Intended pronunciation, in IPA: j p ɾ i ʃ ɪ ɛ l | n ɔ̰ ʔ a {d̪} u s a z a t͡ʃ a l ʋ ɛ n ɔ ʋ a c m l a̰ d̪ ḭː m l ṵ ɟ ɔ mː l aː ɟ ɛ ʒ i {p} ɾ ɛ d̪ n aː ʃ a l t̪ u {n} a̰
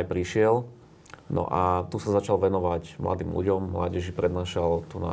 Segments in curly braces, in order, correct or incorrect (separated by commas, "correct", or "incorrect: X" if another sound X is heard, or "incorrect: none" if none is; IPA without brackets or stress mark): incorrect: t̪, correct, correct